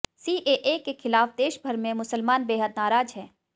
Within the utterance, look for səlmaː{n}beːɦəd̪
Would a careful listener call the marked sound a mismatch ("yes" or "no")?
no